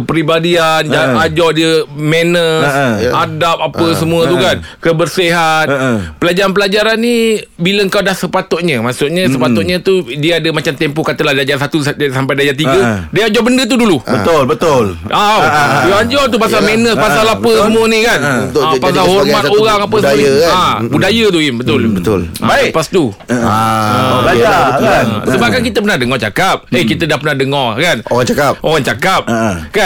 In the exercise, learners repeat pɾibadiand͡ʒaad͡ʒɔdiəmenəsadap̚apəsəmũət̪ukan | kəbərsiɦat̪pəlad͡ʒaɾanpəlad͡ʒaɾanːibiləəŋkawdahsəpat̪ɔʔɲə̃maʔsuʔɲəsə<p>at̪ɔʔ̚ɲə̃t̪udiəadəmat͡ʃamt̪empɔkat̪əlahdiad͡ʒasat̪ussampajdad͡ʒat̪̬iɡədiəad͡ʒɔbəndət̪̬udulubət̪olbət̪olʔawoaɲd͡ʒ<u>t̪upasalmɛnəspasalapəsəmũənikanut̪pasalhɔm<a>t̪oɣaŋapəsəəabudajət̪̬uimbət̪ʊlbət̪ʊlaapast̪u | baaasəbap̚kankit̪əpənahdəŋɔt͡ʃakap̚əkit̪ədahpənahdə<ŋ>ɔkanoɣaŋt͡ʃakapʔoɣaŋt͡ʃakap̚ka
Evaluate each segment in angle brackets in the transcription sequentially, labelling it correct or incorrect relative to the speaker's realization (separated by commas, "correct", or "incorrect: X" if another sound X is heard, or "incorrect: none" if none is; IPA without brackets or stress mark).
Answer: correct, incorrect: ɔ, correct, correct